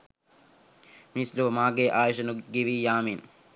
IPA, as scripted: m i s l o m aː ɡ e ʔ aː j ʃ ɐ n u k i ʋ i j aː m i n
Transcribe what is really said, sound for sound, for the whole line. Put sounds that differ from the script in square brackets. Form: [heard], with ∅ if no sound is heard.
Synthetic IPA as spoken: m i s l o m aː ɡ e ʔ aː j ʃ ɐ n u [ɡ] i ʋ i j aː m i n